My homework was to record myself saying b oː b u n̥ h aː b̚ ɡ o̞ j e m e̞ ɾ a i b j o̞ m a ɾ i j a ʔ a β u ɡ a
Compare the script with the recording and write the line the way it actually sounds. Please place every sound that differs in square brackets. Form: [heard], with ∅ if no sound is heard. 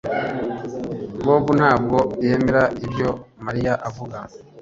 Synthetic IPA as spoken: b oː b u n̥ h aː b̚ ɡ o̞ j e m e̞ ɾ a i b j o̞ m a ɾ i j a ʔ a [v] u ɡ a